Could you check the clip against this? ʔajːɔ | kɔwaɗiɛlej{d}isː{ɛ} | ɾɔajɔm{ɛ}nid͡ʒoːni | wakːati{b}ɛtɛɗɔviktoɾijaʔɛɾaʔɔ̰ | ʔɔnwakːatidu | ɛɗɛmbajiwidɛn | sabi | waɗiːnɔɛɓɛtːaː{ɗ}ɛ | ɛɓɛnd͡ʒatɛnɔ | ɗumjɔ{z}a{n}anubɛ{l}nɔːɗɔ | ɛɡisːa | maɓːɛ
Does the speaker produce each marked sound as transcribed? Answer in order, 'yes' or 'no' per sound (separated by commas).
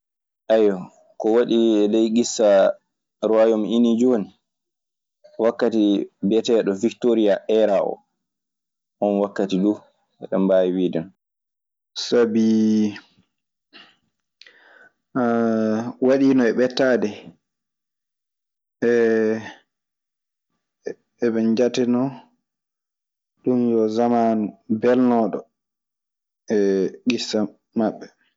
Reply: no, no, no, yes, no, yes, no, yes